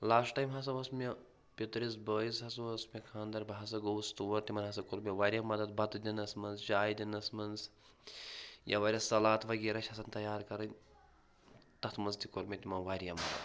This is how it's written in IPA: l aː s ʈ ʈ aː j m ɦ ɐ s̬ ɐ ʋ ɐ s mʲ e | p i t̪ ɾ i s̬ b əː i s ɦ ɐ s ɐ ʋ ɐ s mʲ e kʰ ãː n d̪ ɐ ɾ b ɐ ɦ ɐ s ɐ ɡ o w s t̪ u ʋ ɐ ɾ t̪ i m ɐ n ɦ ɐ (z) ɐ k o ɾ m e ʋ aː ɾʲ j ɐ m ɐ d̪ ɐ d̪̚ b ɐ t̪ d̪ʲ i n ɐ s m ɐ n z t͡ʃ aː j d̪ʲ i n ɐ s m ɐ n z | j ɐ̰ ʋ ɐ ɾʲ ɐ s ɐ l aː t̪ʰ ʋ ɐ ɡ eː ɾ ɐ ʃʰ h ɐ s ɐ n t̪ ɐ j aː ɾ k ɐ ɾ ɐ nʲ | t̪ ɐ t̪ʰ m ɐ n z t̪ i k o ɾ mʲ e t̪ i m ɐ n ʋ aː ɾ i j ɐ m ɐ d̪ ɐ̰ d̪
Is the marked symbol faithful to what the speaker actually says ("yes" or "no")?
no